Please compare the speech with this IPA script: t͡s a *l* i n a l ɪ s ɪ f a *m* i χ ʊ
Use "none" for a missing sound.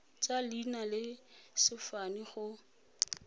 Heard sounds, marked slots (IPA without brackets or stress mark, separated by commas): l, n